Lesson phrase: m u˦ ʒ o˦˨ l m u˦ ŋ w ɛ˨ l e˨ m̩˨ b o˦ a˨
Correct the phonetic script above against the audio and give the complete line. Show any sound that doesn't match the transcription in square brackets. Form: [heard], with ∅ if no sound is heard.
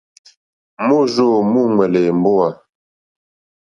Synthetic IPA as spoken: m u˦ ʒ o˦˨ [∅] m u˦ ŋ w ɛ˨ l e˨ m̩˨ b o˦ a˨